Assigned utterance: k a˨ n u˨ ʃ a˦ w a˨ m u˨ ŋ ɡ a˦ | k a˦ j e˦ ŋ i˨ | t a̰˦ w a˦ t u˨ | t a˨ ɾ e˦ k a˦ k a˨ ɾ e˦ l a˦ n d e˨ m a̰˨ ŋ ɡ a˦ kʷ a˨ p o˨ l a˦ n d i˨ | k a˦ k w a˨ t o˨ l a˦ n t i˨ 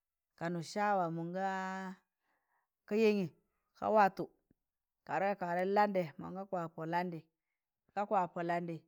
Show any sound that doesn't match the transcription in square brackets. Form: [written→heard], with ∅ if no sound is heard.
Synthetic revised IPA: k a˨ n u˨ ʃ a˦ w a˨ m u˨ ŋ ɡ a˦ | k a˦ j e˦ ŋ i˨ | [t→k] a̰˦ w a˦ t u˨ | [t→k] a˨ ɾ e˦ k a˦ k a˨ ɾ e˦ l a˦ n d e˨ m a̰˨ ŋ ɡ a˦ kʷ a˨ p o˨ l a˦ n d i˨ | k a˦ k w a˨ [t→p] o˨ l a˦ n [t→d] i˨